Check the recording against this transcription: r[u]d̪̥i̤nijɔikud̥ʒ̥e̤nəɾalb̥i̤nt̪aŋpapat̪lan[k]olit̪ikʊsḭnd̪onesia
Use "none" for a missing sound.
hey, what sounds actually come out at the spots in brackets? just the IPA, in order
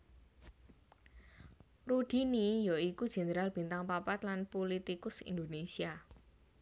u, p

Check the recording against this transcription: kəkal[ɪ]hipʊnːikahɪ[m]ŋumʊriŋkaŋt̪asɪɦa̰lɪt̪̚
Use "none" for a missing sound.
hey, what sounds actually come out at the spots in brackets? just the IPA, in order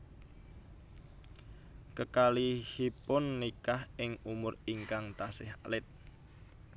i, none

